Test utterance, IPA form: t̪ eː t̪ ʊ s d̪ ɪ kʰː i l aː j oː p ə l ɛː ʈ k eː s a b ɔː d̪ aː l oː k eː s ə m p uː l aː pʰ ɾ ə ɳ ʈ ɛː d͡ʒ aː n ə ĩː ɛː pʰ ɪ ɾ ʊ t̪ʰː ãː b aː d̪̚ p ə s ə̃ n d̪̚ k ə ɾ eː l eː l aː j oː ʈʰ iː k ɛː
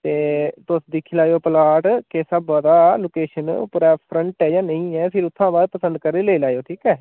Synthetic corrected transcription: t̪ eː t̪ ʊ s d̪ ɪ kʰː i l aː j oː p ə l aː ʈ k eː s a b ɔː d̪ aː l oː k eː ʃ ə n p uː ɾ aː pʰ ɾ ə ɳ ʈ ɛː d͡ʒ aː n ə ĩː ɛː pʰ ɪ ɾ ʊ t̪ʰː ãː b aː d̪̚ p ə s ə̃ n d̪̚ k ə ɾ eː l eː l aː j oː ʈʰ iː k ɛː